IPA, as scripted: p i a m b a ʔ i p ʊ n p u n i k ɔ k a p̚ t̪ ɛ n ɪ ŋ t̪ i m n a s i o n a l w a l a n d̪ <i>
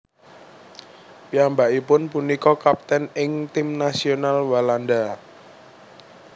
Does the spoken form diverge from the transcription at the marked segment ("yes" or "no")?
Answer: yes